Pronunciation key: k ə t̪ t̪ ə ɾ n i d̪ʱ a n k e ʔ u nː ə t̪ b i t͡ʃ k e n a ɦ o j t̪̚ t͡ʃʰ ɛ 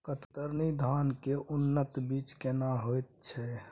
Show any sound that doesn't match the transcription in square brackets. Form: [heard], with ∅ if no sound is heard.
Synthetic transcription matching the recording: k ə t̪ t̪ ə ɾ n i d̪ʱ a n k e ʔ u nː ə t̪ b i t͡ʃ k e n a ɦ o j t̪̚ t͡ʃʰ ɛ